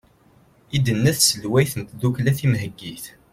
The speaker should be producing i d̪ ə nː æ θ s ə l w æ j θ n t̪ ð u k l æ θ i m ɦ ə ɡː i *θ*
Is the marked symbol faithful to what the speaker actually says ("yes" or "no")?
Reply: yes